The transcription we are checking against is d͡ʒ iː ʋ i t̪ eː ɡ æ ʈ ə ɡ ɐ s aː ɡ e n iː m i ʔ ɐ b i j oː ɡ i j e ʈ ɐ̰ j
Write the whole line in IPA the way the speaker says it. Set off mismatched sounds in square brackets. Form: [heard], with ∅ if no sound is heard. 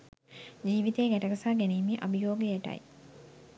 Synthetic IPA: d͡ʒ iː ʋ i t̪ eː ɡ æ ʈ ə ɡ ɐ s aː ɡ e n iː m i ʔ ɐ b i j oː ɡ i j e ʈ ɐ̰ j